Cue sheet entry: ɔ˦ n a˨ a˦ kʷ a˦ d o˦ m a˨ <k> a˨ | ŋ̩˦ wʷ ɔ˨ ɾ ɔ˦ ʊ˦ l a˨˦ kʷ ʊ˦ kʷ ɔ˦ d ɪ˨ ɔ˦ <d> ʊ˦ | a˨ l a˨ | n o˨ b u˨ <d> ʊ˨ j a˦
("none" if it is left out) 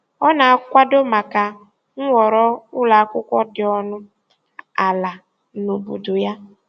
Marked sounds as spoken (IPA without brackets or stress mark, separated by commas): k, n, d